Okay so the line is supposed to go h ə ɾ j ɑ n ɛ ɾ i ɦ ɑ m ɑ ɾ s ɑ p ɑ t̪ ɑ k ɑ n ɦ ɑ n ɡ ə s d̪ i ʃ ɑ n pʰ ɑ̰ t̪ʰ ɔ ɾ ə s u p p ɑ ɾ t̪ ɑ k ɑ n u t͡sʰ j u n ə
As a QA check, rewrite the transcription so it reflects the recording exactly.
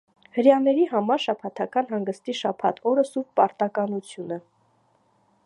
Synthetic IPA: h ə ɾ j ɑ n ɛ ɾ i ɦ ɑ m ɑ ɾ ʃ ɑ pʰ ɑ t̪ʰ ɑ k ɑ n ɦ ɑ ŋ ɡ ə s t̪ i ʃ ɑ pʰ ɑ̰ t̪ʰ ɔ ɾ ə s u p p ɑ ɾ t̪ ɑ k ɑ n u t͡sʰ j u n ə